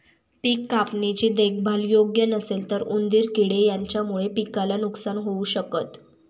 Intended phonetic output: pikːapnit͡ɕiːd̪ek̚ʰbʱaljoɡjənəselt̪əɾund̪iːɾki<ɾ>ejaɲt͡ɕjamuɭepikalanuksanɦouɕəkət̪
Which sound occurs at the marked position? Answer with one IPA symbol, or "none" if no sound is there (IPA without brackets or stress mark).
ɽ